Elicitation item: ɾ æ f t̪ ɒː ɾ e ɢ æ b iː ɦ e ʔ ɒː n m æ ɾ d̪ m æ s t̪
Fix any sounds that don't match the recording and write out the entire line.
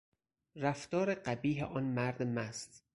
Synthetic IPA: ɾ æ f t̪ ɒː ɾ e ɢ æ b iː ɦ e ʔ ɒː n m æ ɾ d̪ m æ s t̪